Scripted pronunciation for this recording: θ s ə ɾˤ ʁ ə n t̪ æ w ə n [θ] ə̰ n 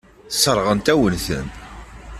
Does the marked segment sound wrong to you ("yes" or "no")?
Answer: no